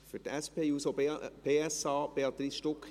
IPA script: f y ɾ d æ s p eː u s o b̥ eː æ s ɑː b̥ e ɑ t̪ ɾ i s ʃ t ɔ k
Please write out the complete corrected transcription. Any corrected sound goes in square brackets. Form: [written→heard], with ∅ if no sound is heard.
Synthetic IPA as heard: f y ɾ [d→t] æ s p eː u s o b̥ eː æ s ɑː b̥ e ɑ t̪ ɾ i s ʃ t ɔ k

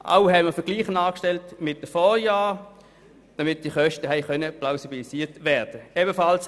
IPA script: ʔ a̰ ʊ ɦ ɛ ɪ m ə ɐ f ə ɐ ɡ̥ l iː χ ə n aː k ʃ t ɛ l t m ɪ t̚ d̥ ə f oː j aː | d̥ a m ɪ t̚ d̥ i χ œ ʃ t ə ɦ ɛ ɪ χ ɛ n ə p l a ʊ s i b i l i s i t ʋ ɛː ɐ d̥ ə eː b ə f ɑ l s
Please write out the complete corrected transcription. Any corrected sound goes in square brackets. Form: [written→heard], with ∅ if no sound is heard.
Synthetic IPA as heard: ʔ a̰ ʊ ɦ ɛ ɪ m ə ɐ f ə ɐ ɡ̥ l iː χ ə n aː k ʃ t ɛ l t m ɪ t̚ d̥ ə f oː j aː | d̥ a m ɪ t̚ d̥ i χ œ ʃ t ə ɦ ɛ ɪ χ [ɛ→œ] n ə p l a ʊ s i b i l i s [i→iː] t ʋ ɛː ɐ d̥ ə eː b ə f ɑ l s

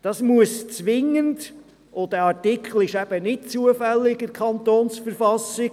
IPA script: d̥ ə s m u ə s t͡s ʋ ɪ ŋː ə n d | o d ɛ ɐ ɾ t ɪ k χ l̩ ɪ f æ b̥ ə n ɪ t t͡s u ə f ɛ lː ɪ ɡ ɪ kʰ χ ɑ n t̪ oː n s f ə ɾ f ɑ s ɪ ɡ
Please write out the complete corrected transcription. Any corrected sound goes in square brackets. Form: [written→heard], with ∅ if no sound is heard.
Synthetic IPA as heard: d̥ [ə→ɑ] s m u ə s t͡s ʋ ɪ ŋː ə n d | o d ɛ [ɐ→ɑ] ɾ t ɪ k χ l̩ ɪ [f→ʃ] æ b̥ ə n ɪ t t͡s u ə f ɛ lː ɪ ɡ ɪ kʰ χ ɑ n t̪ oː n s f ə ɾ f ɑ s ɪ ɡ

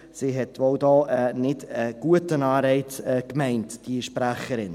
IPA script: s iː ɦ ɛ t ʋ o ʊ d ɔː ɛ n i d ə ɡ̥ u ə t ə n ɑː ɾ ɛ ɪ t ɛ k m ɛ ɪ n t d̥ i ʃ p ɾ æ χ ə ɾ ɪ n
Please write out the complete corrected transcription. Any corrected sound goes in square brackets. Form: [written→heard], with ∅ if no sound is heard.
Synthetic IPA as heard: s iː ɦ ɛ t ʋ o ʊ d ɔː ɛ n [i→ɪ] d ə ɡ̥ u ə t ə n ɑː ɾ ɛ ɪ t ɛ k m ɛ ɪ n t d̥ i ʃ p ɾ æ χ ə ɾ ɪ n

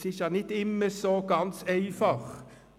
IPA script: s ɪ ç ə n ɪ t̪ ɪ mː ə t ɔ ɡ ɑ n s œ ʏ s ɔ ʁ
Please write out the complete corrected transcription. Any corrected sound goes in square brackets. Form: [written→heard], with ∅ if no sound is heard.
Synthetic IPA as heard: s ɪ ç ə n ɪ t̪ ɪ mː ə [t→s] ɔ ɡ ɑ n s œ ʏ [s→f] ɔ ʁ

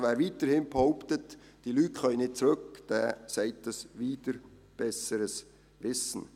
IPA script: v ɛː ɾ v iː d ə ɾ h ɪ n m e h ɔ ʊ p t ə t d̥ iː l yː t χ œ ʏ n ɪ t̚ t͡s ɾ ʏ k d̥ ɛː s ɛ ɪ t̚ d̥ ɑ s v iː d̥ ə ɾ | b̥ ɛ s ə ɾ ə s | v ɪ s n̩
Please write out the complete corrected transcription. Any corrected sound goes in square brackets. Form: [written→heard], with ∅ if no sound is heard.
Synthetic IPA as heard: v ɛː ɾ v iː [d→t] ə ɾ h ɪ n [m→b] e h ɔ ʊ p t ə t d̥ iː l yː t χ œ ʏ n ɪ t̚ t͡s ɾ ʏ k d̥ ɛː s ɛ ɪ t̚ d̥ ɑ s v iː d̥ ə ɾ | b̥ ɛ s ə ɾ ə s | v ɪ s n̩

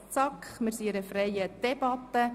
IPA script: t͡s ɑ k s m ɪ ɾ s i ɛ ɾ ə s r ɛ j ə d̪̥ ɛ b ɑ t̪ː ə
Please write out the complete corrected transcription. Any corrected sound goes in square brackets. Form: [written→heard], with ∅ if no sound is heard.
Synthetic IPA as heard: t͡s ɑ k [s→χ] m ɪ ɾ s i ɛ ɾ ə [s→f] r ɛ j ə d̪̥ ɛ b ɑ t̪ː ə

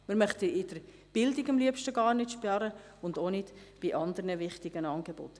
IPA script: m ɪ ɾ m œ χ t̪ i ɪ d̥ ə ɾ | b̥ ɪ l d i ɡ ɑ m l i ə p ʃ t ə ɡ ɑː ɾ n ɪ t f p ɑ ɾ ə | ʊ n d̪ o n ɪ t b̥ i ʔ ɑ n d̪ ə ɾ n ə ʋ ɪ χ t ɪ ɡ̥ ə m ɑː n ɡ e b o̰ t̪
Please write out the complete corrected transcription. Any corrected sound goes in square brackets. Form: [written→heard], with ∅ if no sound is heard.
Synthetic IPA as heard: m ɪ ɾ m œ χ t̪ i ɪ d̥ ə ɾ | b̥ ɪ l d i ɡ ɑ m l i ə p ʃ t ə ɡ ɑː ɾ n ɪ t [f→ʃ] p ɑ ɾ ə | ʊ n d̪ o n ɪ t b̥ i ʔ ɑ n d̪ ə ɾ n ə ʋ ɪ χ t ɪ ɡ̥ ə [m→n] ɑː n ɡ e b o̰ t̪

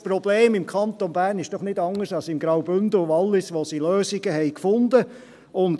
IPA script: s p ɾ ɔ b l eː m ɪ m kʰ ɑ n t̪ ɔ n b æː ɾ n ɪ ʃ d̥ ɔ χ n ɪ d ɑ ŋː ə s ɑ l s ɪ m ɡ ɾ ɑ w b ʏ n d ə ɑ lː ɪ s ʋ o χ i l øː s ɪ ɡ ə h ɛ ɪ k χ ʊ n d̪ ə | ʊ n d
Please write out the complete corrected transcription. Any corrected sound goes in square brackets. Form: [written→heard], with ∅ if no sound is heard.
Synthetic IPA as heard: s p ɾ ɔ b l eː m ɪ m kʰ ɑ n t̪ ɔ n b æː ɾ n ɪ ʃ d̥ ɔ χ n ɪ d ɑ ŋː ə s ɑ l s ɪ m ɡ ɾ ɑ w b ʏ n d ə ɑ lː ɪ s ʋ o [χ→s] i l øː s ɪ ɡ ə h ɛ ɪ k [χ→f] ʊ n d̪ ə | ʊ n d

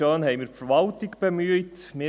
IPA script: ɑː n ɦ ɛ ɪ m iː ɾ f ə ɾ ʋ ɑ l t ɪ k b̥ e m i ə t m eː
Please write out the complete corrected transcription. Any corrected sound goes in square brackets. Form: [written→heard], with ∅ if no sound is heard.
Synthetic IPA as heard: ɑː n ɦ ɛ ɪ m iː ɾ f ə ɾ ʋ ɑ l t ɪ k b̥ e m [i→y] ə t m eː

